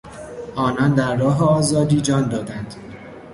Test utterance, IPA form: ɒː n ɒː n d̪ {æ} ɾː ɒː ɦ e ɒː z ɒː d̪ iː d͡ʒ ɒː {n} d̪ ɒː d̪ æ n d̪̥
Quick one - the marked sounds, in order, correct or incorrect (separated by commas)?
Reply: correct, correct